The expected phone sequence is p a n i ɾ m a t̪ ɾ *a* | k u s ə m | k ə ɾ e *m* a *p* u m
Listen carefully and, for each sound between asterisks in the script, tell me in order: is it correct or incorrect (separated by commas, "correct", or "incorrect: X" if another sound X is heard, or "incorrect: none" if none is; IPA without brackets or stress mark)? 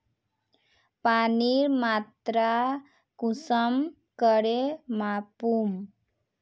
correct, correct, correct